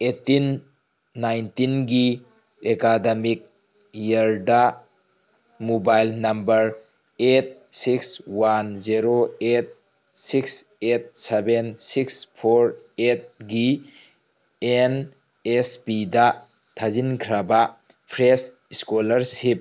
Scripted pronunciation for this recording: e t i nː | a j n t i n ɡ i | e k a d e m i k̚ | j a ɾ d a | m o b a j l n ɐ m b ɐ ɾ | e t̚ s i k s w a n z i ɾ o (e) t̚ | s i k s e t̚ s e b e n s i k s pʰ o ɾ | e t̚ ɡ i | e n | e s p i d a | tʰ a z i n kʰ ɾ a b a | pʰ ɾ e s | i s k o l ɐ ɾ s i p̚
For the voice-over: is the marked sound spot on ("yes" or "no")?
yes